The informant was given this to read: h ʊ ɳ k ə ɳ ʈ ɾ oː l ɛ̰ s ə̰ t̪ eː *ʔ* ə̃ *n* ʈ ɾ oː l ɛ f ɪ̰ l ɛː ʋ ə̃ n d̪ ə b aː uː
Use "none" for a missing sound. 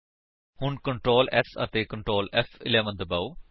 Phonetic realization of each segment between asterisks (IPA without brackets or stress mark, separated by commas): k, ɳ